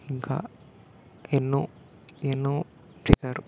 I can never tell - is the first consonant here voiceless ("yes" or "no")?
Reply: no